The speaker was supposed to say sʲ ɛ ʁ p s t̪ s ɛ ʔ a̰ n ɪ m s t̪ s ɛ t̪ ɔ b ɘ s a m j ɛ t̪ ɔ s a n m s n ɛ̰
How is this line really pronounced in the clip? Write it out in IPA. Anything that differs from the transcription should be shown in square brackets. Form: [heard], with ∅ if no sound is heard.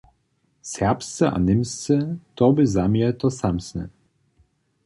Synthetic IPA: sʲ ɛ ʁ p s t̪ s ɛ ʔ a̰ n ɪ m s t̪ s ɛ t̪ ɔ b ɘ [z] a m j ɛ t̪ ɔ s a [∅] m s n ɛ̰